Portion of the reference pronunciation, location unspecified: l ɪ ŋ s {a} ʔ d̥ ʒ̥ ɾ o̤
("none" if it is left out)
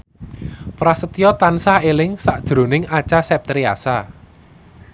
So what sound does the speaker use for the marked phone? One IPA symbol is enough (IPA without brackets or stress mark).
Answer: a